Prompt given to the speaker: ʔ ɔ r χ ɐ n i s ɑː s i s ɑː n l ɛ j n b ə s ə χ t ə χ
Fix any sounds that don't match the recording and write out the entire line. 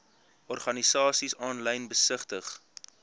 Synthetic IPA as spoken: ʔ ɔ r χ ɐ n i s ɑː s i s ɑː n l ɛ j n b ə s ə χ t ə χ